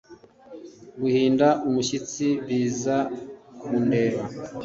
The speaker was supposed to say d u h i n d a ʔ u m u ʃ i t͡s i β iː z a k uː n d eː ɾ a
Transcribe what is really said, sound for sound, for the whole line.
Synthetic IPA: ɡ u h iː n d a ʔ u m u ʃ i t͡s i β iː z a k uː n d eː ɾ a